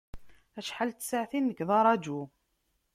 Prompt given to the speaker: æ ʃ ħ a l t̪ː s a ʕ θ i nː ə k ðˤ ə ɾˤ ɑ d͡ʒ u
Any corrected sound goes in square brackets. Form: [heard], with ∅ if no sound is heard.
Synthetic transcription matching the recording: æ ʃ ħ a l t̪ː s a ʕ θ i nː ə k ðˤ [ɑ] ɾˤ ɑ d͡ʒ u